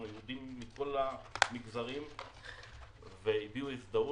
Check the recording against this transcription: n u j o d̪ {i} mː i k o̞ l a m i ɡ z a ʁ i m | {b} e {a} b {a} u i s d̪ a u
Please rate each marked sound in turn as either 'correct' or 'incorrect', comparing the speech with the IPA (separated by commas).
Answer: correct, incorrect, incorrect, incorrect